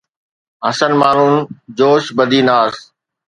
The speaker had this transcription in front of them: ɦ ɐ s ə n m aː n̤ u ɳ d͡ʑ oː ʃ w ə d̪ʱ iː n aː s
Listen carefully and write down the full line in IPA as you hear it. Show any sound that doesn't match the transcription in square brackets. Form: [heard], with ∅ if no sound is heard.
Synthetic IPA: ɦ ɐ s ə n m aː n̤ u [n] d͡ʑ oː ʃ [b] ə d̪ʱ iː n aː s